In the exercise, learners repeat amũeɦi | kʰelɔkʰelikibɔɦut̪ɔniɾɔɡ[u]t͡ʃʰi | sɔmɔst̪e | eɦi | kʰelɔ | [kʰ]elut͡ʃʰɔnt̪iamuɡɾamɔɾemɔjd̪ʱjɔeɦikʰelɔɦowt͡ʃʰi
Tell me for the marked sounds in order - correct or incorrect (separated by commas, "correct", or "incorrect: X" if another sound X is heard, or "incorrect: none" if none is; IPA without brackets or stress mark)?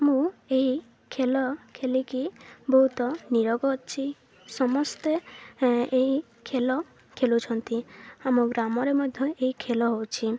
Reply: incorrect: ɔ, correct